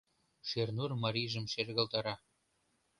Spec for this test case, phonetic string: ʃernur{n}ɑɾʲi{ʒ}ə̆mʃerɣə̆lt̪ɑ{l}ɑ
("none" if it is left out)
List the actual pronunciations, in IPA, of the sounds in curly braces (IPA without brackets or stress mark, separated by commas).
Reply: m, ʒ, ɾ